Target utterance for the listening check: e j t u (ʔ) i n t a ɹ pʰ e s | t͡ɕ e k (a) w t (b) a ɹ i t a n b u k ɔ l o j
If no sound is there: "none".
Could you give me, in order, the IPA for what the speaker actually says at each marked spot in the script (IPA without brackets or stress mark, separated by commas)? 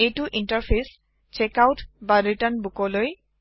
ʔ, a, b